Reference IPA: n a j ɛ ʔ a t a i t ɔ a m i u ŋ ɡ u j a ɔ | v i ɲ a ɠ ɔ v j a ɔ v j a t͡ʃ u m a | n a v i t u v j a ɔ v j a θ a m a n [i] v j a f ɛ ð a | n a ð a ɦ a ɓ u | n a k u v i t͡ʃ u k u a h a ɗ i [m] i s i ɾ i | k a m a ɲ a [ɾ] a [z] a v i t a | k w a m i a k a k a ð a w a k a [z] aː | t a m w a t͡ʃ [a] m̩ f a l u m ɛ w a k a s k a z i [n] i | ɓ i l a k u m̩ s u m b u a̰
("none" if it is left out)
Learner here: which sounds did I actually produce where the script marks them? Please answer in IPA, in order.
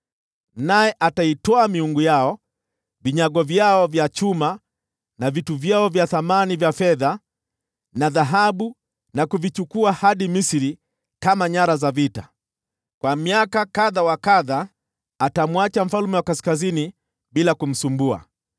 i, m, ɾ, z, ð, a, n

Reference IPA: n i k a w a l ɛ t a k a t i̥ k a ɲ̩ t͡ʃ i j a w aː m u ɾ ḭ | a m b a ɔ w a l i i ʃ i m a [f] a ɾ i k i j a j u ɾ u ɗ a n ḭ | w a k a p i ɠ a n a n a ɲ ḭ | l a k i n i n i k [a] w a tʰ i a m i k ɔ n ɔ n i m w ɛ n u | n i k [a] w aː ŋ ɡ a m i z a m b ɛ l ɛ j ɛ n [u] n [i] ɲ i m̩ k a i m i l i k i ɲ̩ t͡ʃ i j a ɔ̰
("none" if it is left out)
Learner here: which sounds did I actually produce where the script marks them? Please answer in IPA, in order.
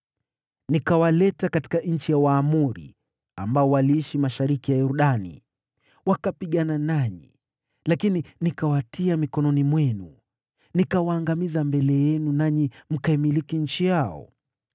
ʃ, a, a, u, a

